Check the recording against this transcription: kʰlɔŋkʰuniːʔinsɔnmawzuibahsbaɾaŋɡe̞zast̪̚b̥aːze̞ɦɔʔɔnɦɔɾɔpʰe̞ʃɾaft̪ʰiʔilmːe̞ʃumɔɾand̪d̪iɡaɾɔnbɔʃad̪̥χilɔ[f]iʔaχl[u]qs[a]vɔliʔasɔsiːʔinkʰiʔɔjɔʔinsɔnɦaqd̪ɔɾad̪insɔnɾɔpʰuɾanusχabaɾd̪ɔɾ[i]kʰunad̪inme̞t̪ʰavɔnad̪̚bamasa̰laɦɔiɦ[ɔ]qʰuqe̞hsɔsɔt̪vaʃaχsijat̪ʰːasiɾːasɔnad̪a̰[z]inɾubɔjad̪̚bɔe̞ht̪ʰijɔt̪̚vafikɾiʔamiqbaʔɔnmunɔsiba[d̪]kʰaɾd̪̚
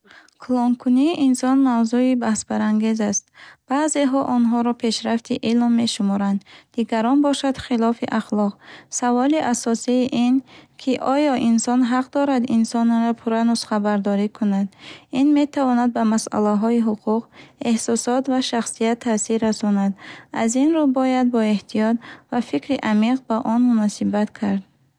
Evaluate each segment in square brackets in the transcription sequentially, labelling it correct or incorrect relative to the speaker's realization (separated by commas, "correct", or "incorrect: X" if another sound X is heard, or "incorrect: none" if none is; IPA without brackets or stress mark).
correct, incorrect: ɔ, correct, correct, incorrect: u, correct, incorrect: t̪